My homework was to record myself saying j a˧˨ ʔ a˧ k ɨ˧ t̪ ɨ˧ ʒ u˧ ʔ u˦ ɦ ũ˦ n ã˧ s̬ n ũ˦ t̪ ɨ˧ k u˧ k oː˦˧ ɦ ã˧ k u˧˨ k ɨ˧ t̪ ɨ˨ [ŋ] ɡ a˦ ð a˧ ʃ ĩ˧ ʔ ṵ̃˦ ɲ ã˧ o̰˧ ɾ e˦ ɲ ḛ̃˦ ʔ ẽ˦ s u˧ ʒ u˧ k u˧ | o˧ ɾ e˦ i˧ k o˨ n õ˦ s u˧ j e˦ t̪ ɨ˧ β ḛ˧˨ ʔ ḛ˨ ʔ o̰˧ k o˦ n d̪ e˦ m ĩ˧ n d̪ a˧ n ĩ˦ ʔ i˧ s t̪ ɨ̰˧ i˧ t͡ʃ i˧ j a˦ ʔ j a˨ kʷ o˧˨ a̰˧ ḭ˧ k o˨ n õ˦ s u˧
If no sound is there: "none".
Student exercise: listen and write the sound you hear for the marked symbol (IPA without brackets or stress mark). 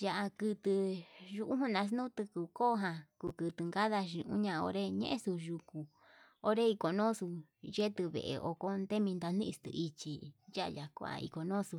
ŋ